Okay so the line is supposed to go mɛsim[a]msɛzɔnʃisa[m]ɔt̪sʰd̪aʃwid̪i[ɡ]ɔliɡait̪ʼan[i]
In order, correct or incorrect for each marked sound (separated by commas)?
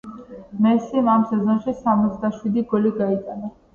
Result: correct, correct, correct, incorrect